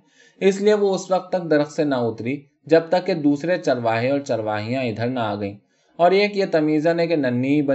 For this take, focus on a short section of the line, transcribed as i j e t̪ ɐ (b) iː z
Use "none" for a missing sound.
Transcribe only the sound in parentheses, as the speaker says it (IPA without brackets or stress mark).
m